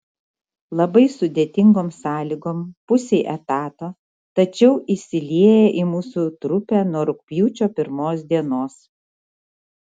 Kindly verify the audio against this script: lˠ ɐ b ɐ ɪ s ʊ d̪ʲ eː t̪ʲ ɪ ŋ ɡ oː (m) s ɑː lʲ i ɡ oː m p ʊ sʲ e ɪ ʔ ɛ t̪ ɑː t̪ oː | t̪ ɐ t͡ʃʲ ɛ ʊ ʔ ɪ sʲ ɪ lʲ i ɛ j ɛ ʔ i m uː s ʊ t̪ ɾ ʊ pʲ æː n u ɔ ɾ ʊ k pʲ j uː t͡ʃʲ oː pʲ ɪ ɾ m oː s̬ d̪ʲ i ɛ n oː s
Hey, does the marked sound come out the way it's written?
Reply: yes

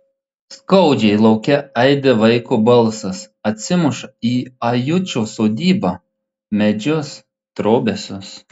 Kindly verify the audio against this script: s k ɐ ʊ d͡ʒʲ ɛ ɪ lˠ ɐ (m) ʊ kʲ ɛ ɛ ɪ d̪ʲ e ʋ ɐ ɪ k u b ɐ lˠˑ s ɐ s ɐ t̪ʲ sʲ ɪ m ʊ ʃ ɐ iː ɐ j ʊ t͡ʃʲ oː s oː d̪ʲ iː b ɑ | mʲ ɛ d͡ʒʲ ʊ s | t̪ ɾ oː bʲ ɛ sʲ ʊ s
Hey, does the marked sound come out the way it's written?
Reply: no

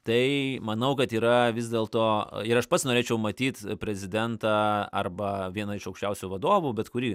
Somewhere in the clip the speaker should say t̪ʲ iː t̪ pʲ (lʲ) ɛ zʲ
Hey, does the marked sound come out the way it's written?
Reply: no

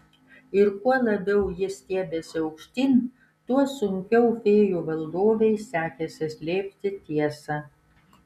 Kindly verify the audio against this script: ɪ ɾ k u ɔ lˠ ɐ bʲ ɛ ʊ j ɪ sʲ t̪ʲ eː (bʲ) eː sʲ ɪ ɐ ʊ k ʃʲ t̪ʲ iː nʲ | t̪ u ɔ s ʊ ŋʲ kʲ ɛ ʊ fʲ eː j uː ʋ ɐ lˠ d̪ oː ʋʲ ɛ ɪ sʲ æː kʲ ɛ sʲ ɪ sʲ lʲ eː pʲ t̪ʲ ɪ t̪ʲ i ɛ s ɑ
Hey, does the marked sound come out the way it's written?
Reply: yes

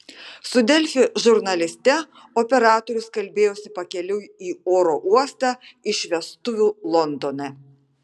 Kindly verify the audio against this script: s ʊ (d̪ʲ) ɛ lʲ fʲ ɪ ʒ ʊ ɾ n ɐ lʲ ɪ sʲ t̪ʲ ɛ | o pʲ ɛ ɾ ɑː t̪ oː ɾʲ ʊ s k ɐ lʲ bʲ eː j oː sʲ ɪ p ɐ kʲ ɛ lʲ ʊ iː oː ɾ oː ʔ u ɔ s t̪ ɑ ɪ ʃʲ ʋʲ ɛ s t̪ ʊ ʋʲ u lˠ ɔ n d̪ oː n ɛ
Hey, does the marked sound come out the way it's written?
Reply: yes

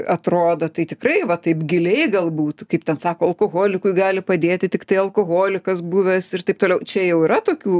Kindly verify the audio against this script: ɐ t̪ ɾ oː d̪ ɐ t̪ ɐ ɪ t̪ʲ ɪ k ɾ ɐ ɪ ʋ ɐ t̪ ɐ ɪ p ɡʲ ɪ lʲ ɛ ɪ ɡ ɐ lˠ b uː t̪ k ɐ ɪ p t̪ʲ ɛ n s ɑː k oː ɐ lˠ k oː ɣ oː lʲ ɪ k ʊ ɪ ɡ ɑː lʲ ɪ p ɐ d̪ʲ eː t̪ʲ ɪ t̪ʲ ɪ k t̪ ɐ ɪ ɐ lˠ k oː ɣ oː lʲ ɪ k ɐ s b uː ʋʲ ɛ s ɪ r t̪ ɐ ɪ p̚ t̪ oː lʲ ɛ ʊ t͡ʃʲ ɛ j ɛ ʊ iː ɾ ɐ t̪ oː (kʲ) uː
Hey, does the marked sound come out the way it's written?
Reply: yes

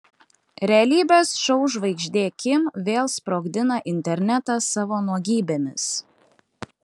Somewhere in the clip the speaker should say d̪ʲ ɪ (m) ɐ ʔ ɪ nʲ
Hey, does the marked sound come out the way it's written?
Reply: no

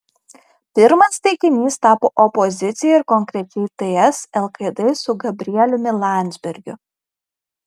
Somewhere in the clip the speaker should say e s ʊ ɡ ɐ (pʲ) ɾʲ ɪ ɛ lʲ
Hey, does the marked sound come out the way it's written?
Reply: no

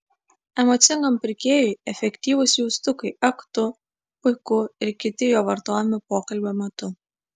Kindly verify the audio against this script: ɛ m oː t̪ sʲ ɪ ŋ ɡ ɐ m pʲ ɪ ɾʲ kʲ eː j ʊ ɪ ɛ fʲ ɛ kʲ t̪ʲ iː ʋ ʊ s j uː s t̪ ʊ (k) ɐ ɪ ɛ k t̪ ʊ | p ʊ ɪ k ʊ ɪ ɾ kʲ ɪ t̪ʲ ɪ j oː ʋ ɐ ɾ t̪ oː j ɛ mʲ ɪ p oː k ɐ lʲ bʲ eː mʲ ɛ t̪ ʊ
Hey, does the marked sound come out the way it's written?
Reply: yes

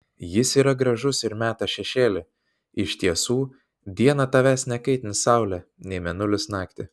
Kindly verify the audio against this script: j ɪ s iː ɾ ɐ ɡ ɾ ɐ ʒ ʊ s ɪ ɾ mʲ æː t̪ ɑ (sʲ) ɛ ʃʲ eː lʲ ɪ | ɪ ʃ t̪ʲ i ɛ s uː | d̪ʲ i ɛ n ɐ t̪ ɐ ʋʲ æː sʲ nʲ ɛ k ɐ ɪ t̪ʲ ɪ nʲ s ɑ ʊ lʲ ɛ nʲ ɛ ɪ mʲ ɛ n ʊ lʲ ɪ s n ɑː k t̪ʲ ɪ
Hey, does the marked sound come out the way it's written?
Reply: no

